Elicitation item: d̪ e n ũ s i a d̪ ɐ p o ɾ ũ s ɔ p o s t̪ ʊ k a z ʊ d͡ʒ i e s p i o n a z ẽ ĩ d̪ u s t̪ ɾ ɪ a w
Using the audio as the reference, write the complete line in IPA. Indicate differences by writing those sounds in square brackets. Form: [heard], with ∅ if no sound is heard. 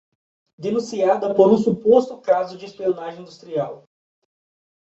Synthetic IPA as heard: d̪ e n ũ s i a d̪ ɐ p o ɾ ũ s [u] p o s t̪ ʊ k a z ʊ d͡ʒ [ɪ] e s p i o n a [ʒ] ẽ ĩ d̪ u s t̪ ɾ [i] a w